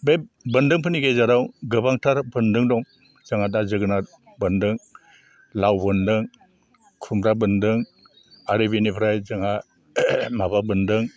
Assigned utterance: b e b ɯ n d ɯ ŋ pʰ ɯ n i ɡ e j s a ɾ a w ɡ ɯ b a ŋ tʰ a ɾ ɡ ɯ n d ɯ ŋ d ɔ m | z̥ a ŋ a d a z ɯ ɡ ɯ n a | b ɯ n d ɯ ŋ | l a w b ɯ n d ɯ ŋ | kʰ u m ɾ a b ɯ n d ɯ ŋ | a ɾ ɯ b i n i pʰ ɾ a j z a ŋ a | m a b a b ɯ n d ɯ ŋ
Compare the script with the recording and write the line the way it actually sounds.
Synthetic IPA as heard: b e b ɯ n d ɯ ŋ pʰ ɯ n i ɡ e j z a ɾ a w ɡ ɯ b a ŋ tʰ a ɾ b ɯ n d ɯ ŋ d ɔ ŋ | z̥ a ŋ a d a z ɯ ɡ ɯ n a | b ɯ n d ɯ ŋ | l a w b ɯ n d ɯ ŋ | kʰ u m ɾ a b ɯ n d ɯ ŋ | a ɾ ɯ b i n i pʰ ɾ a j z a ŋ a | m a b a b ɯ n d ɯ ŋ